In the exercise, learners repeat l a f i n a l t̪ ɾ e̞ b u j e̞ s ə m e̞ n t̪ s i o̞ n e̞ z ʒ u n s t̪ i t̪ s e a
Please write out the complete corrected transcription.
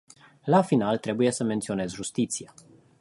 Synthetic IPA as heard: l a f i n a l t̪ ɾ e̞ b u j e̞ s ə m e̞ n t̪ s i o̞ n e̞ z ʒ u s t̪ i t̪ s i a